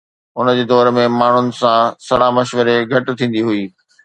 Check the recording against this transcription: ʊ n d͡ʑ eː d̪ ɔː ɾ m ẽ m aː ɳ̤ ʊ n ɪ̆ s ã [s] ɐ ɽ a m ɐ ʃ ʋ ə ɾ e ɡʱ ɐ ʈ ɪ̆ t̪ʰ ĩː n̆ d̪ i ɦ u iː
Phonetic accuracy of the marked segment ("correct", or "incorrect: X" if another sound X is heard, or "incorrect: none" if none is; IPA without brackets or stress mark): correct